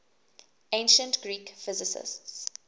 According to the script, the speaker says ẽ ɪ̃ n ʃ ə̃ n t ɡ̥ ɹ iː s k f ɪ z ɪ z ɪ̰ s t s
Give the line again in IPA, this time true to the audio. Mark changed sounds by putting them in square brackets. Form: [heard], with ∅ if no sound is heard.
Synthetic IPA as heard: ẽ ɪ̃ n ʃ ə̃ n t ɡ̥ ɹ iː [∅] k f ɪ z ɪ [s] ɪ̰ s t s